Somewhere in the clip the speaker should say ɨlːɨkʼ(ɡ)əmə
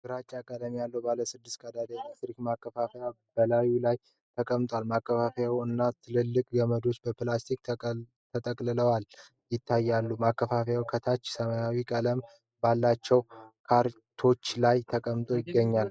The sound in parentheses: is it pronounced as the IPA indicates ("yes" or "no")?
yes